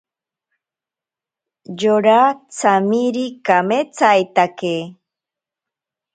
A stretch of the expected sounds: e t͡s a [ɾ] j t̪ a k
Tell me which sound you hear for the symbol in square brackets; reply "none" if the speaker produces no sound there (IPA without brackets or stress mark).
none